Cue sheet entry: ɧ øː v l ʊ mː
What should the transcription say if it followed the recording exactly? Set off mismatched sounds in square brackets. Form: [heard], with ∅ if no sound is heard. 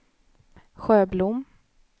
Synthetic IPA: ɧ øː [b] l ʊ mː